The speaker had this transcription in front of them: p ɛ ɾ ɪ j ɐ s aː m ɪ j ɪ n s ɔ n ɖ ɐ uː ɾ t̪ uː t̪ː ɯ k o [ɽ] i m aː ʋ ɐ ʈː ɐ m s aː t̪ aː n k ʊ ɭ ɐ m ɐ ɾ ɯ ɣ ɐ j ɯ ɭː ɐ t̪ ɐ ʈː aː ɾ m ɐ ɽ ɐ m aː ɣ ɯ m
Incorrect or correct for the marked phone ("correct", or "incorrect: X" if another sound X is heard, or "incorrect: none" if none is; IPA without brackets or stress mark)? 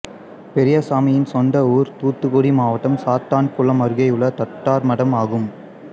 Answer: correct